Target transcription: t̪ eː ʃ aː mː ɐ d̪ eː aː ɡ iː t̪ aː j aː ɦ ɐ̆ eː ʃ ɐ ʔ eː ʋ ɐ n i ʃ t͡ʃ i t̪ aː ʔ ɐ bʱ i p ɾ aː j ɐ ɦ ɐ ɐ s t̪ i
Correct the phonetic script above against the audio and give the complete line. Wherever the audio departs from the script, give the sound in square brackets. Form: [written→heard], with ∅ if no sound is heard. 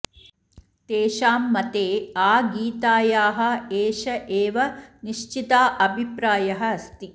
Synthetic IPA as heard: t̪ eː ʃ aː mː ɐ [d̪→t̪] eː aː ɡ iː t̪ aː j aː ɦ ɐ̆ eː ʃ ɐ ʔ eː ʋ ɐ n i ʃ t͡ʃ i t̪ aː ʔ ɐ bʱ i p ɾ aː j ɐ ɦ ɐ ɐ s t̪ i